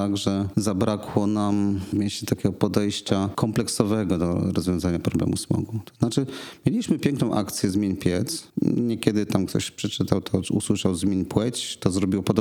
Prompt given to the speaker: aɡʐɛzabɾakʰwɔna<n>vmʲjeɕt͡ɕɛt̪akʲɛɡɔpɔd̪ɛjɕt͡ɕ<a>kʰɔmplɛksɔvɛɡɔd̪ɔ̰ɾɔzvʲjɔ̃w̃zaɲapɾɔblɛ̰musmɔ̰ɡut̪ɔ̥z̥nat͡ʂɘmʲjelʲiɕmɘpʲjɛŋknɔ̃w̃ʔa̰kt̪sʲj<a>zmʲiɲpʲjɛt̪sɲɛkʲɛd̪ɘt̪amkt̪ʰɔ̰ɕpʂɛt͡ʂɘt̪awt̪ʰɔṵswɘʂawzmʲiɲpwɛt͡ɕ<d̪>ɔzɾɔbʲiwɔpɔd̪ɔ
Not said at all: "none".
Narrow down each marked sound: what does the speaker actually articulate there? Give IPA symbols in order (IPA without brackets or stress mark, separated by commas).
m, a, ɛ, t̪